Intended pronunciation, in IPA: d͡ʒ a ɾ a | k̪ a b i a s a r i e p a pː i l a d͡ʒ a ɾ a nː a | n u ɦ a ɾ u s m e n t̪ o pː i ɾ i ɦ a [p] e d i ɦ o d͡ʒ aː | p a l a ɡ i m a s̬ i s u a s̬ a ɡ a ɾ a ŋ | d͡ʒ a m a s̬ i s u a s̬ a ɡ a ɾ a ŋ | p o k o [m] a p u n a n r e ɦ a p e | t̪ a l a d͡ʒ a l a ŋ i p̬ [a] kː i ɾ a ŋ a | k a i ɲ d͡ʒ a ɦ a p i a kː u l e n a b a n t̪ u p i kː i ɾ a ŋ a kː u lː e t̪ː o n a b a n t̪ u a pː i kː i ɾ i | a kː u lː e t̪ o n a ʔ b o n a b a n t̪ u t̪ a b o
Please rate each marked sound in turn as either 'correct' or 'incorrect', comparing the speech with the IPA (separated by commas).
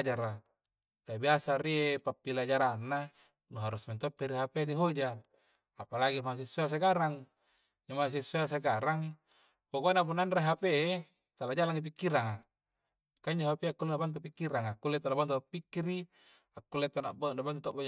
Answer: correct, incorrect, incorrect